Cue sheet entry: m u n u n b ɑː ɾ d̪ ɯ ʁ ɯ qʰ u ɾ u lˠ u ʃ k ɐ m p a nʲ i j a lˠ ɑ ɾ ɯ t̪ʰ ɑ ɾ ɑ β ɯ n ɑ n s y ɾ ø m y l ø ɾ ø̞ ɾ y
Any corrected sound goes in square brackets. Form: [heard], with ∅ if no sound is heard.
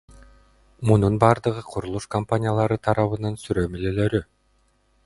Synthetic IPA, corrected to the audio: m u n u n b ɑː ɾ d̪ ɯ ʁ ɯ qʰ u ɾ u lˠ u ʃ k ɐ m p a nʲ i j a lˠ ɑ ɾ ɯ t̪ʰ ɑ ɾ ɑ β ɯ n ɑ n s y ɾ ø m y l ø [l] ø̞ ɾ y